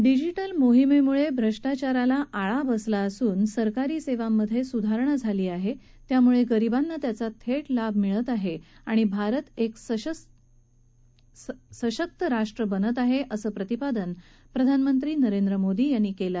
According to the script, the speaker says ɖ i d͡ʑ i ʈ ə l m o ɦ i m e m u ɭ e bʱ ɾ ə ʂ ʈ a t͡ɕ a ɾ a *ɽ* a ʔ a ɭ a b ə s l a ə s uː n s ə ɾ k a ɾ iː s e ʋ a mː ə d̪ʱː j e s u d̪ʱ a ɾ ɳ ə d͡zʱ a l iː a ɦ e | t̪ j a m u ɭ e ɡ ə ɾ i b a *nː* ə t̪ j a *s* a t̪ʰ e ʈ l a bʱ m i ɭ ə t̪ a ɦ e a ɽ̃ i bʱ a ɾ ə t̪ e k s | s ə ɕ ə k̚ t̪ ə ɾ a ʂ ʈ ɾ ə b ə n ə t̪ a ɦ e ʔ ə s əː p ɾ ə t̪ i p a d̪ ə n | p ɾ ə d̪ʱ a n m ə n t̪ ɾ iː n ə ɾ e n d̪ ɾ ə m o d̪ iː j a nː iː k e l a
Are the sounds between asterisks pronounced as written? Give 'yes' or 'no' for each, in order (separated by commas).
no, yes, no